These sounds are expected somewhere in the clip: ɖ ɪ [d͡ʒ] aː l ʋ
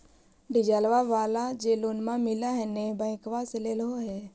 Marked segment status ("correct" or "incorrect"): correct